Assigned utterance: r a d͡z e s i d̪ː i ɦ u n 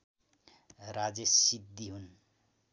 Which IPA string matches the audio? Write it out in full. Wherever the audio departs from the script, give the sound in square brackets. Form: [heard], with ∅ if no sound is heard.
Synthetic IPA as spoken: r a d͡z e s i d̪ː i ɦ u n